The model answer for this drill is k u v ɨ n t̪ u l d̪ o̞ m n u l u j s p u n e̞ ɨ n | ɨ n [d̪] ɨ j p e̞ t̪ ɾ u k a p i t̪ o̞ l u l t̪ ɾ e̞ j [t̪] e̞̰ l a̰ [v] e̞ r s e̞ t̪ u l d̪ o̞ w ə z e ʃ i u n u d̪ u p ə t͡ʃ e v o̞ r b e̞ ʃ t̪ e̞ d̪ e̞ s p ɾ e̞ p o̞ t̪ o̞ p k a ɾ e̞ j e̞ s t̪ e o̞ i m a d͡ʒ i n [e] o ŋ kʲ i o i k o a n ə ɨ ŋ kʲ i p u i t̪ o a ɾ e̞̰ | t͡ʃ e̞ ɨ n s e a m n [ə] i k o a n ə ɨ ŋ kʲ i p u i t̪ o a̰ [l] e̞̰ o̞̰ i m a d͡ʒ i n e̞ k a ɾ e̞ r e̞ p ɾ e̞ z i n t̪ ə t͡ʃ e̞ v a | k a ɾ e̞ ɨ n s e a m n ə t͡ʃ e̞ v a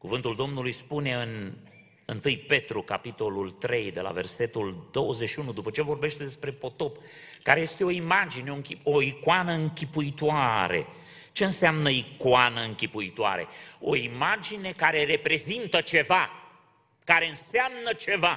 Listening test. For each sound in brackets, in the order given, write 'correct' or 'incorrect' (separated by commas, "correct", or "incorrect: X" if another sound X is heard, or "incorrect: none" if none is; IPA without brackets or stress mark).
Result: incorrect: t̪, incorrect: d̪, correct, correct, correct, incorrect: ɾ